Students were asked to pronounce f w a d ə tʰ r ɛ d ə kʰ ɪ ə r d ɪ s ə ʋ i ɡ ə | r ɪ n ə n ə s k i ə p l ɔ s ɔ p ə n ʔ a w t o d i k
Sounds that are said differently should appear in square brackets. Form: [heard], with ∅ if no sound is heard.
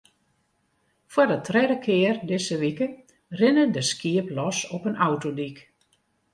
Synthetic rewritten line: f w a d ə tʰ r ɛ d ə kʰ ɪ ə r d ɪ s ə ʋ i [k] ə | r ɪ n ə [d] ə s k i ə p l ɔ s ɔ p ə n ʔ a w t o d i k